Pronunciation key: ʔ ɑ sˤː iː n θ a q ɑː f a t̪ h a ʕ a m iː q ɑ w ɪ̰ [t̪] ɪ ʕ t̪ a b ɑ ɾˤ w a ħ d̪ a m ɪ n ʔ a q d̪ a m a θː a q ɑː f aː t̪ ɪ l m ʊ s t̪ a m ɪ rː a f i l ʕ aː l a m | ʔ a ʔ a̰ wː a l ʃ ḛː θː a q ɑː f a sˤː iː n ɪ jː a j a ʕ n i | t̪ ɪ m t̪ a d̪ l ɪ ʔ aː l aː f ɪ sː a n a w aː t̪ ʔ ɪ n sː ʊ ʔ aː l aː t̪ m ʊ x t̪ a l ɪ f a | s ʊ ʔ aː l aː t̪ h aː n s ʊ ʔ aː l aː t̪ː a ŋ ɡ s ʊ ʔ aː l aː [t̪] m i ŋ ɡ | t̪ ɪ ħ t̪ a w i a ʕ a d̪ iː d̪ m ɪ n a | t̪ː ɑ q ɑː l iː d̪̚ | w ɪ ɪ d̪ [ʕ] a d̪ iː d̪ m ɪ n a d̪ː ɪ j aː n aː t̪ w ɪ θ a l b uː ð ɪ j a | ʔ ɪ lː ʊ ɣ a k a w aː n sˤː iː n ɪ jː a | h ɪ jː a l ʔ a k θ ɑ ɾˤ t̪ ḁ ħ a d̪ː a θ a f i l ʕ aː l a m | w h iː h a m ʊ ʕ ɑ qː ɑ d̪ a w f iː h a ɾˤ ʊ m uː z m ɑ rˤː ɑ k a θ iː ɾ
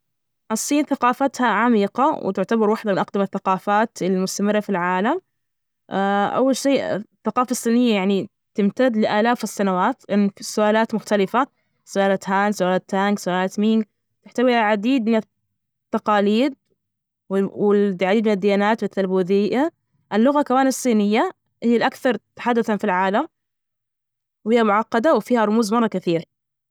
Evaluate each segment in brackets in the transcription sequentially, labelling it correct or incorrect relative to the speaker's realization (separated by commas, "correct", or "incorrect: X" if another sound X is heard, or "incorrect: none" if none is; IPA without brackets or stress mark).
correct, correct, correct